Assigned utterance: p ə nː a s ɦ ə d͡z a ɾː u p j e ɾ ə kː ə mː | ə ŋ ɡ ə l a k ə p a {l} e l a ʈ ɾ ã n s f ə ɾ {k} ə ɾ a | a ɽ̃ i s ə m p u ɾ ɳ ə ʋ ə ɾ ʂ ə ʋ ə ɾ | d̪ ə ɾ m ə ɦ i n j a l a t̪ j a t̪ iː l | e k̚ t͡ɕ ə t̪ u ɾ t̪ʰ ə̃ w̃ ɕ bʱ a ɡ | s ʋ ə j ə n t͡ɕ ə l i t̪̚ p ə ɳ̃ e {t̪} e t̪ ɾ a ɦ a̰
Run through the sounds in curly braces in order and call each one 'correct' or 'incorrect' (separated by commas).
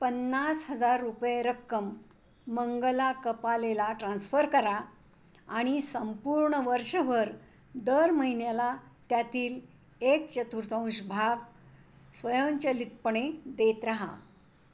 correct, correct, incorrect